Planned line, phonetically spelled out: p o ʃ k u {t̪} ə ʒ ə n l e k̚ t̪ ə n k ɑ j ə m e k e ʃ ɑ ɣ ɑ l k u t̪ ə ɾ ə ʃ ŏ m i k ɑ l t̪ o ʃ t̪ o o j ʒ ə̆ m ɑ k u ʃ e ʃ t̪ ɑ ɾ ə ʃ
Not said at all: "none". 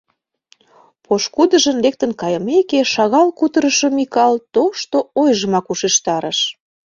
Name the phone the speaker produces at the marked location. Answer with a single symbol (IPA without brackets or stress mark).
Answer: d̪